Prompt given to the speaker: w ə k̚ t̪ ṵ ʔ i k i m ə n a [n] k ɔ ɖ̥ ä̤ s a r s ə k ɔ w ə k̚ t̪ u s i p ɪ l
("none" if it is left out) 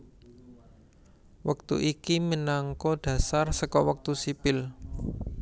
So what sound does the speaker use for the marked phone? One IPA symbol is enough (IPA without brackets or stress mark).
ŋ